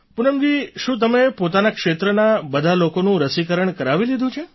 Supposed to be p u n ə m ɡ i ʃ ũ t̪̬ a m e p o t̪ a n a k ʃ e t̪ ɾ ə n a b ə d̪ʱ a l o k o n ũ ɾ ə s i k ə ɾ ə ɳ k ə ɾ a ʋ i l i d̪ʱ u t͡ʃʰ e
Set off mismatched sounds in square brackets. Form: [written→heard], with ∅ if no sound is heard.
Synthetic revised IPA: p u n ə m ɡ i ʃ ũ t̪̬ [a→ə] m e p o t̪ a n a k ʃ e t̪ ɾ ə n a b ə d̪ʱ a l o k o n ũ ɾ ə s i k ə ɾ ə ɳ k ə ɾ a ʋ i l i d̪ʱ [u→ũ] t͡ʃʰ e